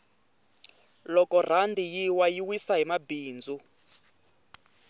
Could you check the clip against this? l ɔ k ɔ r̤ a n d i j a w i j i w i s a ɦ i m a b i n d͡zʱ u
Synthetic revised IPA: l ɔ k ɔ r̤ a n d i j i w a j i w i s a ɦ i m a b iː n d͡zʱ u